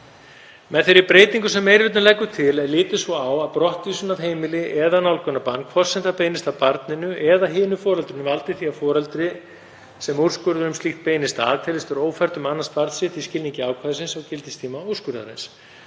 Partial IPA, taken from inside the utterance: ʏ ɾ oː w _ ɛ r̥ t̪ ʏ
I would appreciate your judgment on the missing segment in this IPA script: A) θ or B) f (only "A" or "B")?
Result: B